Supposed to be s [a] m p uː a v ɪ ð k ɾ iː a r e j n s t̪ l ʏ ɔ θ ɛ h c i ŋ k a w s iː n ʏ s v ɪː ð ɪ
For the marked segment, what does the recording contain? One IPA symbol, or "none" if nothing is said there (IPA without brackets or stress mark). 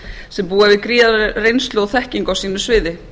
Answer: ɛ